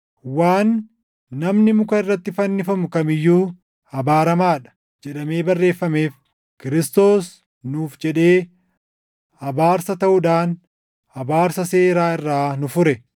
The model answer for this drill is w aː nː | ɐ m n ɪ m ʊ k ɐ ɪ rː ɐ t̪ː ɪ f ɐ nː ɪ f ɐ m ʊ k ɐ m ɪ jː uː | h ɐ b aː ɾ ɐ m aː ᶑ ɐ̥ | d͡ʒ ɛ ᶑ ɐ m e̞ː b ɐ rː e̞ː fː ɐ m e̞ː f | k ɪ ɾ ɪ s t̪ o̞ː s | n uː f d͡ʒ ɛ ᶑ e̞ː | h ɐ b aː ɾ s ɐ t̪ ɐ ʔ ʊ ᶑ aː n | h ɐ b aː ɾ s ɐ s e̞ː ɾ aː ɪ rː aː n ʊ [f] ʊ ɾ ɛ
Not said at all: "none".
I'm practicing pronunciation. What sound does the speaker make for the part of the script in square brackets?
f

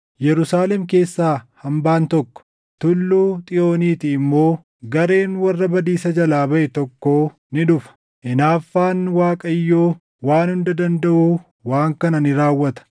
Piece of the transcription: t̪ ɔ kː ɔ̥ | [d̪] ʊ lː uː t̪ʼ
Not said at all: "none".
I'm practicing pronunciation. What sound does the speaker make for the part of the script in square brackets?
t̪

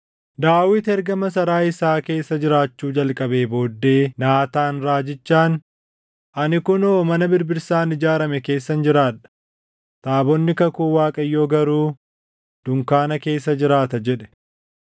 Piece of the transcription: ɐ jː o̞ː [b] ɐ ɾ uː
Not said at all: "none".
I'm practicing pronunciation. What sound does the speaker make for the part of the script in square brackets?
ɡ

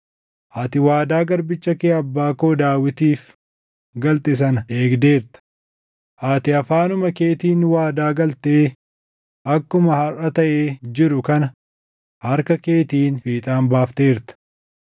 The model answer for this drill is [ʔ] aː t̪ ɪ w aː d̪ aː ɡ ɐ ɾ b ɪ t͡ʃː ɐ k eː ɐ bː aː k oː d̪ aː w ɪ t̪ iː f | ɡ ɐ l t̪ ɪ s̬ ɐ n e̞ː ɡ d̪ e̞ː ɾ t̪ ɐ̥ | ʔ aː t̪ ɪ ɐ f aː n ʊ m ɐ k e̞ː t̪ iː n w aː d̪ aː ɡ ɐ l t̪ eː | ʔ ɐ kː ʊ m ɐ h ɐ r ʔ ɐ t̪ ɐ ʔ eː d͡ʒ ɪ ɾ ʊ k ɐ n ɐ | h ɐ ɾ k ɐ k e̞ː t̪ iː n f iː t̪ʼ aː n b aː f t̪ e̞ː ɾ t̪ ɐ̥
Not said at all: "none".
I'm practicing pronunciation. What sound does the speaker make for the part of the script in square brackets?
ʔ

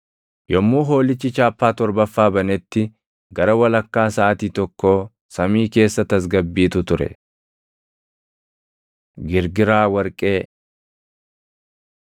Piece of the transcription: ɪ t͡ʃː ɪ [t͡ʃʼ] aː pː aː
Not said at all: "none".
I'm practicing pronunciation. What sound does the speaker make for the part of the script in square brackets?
t͡ʃ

